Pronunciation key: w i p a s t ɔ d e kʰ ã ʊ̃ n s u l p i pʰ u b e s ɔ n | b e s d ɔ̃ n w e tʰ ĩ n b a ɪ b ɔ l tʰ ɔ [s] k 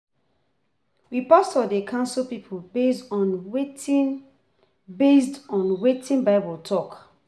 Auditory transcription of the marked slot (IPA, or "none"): none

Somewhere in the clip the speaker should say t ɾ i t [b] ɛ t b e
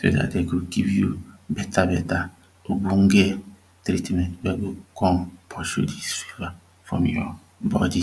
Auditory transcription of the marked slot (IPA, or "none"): m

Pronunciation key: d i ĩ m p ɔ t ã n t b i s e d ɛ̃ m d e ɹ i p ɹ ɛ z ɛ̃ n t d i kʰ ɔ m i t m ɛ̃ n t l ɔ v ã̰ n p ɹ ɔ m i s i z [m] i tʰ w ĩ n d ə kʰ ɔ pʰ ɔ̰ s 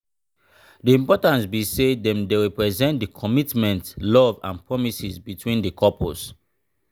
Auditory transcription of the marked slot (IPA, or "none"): b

